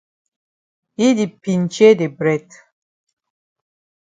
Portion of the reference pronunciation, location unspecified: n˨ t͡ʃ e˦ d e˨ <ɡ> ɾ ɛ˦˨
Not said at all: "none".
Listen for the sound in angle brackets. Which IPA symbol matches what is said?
b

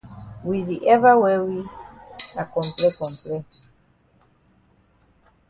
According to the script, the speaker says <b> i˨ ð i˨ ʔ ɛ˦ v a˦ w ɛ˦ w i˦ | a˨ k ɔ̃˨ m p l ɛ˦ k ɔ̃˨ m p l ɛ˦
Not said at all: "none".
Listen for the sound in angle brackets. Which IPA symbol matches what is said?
w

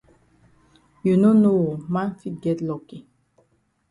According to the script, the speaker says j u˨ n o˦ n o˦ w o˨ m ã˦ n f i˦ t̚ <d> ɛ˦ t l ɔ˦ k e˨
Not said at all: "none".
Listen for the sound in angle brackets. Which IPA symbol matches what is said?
ɡ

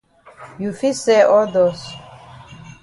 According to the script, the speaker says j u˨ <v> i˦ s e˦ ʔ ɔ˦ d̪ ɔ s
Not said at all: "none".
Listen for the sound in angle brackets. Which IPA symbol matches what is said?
f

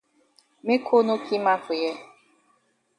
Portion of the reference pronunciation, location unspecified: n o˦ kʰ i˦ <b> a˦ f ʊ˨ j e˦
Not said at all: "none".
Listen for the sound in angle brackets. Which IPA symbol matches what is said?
m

